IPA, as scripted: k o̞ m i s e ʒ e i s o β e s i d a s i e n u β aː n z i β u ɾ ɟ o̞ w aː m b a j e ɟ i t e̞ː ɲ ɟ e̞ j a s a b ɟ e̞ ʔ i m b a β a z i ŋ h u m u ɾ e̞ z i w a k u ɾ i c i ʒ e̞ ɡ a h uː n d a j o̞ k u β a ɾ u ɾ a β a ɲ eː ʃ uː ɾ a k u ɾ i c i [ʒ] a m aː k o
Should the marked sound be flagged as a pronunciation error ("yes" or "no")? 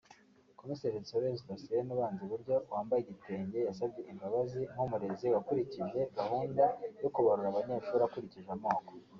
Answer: no